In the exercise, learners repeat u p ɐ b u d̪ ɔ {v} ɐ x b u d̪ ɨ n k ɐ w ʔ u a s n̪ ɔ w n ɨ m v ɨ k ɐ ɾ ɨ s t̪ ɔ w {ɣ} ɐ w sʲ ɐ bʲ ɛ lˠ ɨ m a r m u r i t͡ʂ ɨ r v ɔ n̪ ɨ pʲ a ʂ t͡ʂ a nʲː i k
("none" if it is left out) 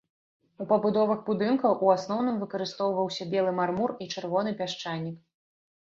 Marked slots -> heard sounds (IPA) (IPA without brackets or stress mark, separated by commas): v, v